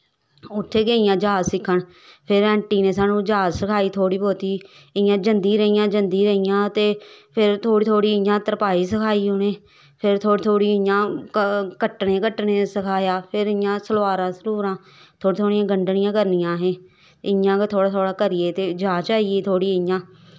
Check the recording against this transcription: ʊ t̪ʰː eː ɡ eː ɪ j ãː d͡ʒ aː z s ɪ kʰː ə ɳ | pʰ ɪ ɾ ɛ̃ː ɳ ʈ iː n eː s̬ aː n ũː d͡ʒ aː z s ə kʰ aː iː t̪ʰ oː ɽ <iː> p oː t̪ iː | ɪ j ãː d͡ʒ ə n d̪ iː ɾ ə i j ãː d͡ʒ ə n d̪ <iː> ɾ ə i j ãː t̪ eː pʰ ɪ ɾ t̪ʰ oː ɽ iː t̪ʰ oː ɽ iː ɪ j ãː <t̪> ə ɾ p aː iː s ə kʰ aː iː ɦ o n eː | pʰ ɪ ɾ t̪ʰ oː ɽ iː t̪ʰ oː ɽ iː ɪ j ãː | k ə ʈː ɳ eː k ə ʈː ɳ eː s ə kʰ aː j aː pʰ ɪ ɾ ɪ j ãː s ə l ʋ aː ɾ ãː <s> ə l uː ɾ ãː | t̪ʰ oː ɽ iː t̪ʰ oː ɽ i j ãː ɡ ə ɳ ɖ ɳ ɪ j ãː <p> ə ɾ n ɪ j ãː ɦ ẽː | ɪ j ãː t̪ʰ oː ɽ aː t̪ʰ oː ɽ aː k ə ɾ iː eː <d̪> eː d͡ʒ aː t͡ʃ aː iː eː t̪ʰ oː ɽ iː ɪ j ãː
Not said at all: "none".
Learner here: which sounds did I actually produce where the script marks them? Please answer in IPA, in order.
iː, iː, t̪, s, k, t̪

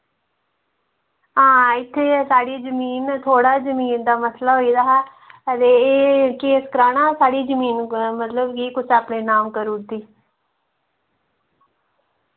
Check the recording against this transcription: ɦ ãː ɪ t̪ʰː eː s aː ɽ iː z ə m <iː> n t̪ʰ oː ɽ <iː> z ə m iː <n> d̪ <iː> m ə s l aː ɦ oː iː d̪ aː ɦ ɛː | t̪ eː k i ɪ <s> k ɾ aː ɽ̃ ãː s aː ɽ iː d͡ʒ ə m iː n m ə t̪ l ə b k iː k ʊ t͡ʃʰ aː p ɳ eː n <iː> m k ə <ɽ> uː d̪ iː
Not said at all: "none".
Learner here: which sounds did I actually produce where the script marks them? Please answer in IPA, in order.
iː, aː, n, aː, s, aː, ɾ

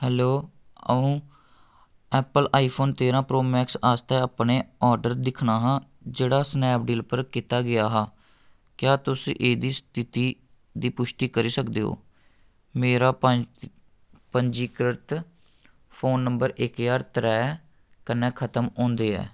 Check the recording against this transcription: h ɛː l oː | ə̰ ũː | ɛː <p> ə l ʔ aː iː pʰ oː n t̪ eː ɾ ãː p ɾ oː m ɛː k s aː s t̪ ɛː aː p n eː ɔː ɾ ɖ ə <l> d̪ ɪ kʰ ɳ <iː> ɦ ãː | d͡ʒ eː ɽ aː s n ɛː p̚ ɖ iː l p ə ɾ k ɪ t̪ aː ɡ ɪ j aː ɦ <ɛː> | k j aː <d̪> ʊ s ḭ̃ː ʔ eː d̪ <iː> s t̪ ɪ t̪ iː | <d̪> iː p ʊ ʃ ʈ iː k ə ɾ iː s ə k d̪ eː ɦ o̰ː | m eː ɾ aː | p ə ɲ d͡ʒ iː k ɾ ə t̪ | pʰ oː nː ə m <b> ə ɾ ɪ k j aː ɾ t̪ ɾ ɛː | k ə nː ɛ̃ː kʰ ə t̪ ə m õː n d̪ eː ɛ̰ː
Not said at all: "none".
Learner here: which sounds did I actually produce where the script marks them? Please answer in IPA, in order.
p, ɾ, aː, aː, t̪, iː, d̪, b

